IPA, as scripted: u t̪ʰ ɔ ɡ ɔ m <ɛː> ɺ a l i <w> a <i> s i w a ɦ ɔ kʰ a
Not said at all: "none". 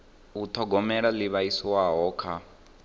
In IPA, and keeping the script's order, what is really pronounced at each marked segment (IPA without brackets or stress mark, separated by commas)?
ɛ, β, i